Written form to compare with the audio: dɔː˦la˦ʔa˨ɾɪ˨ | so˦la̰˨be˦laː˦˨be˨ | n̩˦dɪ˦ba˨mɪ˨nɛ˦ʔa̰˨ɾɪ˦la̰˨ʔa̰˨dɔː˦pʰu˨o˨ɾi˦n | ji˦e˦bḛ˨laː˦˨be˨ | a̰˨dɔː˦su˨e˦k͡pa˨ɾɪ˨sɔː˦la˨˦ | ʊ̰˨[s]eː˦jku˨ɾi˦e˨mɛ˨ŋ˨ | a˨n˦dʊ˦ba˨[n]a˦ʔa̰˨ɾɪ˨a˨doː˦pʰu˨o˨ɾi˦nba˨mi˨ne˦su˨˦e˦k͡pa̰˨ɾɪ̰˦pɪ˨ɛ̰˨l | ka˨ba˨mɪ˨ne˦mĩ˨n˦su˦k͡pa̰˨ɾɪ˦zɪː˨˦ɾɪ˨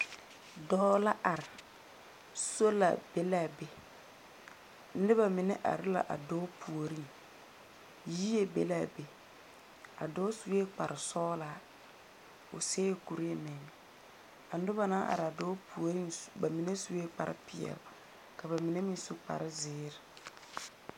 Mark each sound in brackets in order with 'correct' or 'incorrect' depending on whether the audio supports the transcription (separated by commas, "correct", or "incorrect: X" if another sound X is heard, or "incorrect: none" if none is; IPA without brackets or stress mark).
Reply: correct, correct